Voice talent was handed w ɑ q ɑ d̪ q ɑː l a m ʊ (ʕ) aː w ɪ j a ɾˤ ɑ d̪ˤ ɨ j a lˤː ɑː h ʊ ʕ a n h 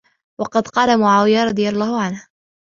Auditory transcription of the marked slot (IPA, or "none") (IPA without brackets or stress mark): ʕ